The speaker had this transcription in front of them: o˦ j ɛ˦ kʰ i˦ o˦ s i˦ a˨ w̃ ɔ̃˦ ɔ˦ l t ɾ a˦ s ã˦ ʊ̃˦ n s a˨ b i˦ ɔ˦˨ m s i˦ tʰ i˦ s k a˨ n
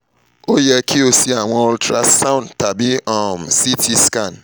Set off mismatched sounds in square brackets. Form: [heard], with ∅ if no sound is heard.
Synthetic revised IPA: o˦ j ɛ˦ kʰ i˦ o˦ s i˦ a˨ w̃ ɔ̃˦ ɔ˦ l t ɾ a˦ s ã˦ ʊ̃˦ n [t] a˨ b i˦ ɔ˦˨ m s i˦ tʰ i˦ s k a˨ n